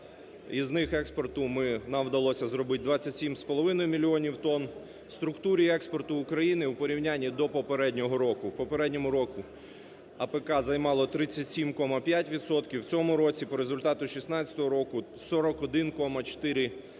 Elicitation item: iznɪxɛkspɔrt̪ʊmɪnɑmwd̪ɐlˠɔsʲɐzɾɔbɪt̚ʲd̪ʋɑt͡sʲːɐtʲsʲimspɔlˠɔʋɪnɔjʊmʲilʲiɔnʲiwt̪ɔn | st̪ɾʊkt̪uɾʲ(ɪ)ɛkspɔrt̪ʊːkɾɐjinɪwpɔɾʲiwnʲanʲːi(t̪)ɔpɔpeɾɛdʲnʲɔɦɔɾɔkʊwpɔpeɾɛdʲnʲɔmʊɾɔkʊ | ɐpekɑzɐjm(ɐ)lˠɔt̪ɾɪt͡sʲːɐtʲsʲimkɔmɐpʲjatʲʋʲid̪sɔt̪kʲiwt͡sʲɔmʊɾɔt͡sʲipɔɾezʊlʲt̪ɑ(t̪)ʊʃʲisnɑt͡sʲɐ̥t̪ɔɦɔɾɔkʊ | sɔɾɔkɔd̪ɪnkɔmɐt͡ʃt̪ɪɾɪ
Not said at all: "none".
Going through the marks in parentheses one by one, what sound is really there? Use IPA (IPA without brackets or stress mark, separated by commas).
i, d̪, ɑ, t̪